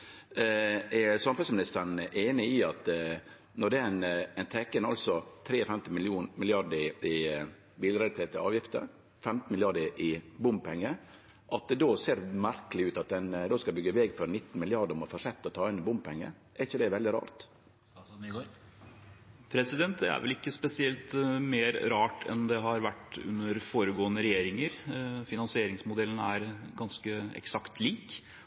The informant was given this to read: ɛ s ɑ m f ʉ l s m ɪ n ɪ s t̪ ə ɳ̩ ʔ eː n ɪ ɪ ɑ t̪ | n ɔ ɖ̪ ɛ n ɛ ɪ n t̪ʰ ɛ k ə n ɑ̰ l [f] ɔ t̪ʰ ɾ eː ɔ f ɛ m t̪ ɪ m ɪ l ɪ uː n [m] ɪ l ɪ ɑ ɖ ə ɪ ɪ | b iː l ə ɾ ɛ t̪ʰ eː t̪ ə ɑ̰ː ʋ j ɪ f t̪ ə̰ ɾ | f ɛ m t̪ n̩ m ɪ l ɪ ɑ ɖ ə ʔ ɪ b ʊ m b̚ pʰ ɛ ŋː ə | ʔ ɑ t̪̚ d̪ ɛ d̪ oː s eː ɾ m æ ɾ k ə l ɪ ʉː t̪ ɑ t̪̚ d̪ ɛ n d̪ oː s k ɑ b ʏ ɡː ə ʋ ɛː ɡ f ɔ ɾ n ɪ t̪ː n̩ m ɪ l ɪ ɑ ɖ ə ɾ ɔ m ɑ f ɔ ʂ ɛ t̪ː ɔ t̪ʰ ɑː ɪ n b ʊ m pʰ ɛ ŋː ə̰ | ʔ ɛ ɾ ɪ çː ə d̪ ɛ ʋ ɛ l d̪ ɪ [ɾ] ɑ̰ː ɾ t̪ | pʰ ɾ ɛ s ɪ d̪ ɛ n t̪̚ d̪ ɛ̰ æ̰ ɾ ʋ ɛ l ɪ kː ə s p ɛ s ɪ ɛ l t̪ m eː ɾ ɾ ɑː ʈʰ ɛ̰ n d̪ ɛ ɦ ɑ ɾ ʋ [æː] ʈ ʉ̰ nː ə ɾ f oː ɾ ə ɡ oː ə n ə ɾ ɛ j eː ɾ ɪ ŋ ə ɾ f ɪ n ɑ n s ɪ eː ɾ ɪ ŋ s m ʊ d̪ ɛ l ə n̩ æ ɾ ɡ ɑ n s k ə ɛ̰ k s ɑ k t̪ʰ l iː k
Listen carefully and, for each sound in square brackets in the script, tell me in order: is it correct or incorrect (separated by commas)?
incorrect, correct, correct, incorrect